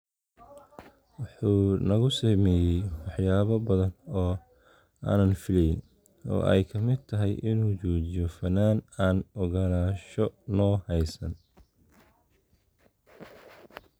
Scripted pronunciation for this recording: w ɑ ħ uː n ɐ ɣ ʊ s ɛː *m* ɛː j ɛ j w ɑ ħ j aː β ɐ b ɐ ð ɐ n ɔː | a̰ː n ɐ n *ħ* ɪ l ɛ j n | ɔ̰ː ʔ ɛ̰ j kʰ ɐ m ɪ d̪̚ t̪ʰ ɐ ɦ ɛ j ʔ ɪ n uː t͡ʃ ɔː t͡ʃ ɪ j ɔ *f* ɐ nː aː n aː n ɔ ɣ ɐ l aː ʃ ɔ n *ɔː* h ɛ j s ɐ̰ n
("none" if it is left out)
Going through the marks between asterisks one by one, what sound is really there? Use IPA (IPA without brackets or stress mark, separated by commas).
m, f, f, ɔː